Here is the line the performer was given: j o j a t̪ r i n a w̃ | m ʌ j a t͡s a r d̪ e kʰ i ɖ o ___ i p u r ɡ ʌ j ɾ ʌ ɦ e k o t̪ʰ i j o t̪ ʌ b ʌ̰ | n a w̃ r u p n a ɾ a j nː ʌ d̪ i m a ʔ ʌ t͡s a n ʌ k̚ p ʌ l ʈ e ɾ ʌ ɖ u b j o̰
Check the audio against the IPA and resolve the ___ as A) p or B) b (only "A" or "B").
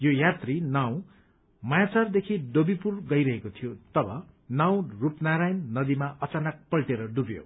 B